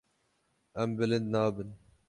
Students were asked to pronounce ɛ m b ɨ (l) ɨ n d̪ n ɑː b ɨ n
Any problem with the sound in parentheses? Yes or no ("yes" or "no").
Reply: no